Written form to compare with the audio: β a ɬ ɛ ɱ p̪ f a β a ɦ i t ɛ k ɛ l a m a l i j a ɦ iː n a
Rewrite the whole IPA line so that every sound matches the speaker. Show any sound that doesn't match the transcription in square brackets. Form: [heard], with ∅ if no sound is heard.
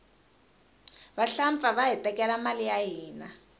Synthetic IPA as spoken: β a ɬ [a] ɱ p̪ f a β a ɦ i t ɛ k ɛ l a m a l i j a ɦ iː n a